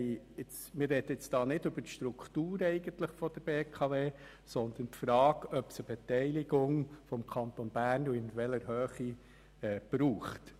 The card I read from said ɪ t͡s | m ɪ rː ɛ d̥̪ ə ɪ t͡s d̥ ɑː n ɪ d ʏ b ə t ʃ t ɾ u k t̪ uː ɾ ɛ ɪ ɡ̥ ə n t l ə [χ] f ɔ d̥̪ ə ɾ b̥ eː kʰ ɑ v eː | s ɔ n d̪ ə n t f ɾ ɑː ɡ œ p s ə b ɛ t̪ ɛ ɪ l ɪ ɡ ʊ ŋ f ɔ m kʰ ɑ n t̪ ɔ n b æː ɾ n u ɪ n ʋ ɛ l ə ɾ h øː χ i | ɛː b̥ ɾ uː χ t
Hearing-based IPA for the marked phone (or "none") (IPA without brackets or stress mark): χ